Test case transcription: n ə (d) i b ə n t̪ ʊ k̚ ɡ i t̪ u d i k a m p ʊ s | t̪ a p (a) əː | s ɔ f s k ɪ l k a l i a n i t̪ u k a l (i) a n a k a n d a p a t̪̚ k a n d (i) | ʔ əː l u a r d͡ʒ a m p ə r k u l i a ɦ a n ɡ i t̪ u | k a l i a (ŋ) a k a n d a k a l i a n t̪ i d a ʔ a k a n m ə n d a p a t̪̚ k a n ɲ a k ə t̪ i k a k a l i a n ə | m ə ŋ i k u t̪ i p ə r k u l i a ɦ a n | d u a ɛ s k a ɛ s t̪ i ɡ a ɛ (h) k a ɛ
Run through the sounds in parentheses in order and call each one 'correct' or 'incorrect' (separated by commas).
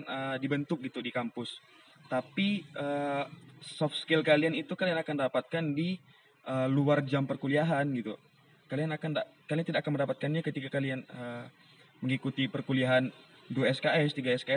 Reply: correct, incorrect, correct, correct, incorrect, incorrect